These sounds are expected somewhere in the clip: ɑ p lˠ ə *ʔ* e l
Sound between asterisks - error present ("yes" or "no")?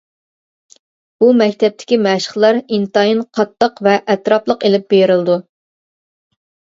yes